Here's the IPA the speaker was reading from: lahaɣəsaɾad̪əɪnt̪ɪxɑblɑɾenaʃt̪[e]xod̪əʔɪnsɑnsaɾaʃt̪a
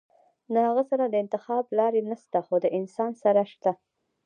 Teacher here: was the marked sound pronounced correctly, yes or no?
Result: no